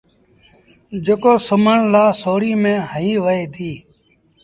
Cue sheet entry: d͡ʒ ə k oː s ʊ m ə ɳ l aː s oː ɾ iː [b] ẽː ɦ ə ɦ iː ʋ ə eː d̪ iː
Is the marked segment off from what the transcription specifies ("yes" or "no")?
yes